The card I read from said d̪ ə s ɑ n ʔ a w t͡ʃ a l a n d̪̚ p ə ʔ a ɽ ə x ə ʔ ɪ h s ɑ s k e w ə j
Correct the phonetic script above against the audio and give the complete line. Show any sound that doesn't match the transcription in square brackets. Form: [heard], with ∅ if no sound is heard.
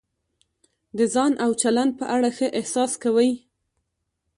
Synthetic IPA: d̪ ə [z] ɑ n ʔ a w t͡ʃ a l a n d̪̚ p ə ʔ a ɽ [a] x ə ʔ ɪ h s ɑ s k [a] w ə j